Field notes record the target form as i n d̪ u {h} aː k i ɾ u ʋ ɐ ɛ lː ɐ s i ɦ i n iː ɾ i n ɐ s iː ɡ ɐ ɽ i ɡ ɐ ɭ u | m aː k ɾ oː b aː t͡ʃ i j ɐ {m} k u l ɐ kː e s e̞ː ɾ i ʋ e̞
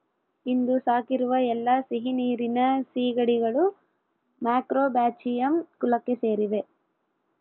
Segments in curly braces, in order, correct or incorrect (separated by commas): incorrect, correct